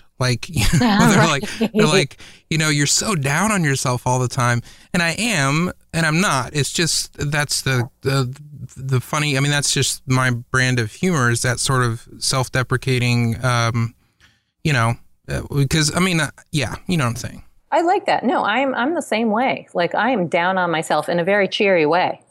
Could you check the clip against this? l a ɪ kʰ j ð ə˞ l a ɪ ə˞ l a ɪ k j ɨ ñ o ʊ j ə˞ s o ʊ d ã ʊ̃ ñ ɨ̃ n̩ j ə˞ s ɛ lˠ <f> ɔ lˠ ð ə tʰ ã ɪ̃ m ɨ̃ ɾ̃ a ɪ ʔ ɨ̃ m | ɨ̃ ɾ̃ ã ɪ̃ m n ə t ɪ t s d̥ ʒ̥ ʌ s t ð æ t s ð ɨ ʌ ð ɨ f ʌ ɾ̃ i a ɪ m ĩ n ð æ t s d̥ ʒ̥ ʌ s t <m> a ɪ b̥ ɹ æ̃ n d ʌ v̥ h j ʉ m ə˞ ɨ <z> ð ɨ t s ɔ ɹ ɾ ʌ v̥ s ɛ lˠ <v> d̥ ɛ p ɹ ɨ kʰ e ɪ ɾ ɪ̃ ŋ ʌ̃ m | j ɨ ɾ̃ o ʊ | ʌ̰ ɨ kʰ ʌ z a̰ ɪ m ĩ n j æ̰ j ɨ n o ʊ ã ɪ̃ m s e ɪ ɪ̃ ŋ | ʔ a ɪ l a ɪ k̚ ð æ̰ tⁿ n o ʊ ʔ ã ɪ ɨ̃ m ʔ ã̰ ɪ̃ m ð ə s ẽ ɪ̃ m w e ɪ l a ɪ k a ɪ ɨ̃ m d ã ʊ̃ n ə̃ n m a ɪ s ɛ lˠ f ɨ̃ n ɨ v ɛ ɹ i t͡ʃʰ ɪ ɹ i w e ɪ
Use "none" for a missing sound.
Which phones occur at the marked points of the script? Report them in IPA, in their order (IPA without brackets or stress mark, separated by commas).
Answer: f, m, z, f